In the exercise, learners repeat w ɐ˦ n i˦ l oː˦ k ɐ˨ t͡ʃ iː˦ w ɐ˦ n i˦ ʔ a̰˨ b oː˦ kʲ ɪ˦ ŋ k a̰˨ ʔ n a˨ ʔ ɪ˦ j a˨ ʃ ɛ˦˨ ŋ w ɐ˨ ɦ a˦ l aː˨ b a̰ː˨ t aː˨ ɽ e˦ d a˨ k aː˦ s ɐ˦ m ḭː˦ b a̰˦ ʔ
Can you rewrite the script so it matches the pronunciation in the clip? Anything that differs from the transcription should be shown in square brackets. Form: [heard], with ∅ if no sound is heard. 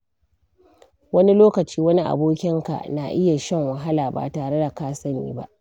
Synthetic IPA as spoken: w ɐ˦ n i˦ l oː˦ k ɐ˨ t͡ʃ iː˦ w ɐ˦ n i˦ ʔ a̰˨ b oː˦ kʲ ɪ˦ ŋ k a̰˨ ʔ n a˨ ʔ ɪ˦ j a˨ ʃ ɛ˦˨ ŋ w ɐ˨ ɦ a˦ l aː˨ b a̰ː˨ t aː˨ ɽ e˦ d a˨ k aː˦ s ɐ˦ [n] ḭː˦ b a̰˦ ʔ